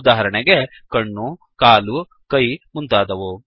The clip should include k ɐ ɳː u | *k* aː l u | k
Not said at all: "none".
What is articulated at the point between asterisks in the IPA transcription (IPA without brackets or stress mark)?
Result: k